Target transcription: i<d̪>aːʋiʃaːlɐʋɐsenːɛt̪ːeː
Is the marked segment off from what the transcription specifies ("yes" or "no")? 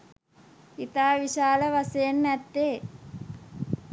yes